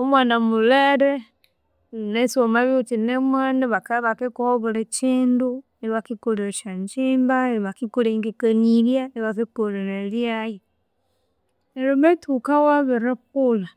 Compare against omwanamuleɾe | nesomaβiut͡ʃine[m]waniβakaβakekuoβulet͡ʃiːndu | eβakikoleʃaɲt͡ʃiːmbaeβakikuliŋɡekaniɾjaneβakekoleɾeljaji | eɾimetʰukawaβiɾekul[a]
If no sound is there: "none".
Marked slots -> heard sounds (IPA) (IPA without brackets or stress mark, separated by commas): m, a